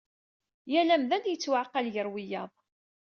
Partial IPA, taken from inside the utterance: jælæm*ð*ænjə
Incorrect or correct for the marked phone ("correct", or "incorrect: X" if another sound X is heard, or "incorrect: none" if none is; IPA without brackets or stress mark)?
correct